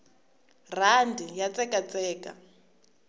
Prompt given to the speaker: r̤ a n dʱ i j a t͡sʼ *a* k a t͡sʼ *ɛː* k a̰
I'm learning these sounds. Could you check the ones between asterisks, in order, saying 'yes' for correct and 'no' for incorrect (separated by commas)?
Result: no, yes